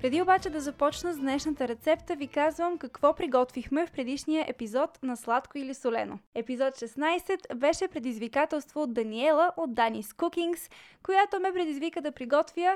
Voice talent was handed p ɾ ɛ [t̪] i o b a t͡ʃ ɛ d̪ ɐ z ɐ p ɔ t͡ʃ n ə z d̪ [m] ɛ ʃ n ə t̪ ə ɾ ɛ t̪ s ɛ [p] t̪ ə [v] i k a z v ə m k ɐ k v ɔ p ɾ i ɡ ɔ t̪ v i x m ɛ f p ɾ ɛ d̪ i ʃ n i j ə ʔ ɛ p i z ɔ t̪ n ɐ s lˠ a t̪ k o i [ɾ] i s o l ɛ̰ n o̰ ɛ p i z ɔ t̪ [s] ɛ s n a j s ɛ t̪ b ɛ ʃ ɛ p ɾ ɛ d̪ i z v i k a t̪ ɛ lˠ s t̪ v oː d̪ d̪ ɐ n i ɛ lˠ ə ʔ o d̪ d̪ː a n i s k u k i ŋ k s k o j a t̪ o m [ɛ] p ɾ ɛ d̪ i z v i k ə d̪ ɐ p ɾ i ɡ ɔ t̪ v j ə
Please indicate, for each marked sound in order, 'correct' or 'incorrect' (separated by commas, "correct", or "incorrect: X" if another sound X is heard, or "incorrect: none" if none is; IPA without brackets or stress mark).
incorrect: d̪, incorrect: n, correct, correct, incorrect: l, incorrect: ʃ, correct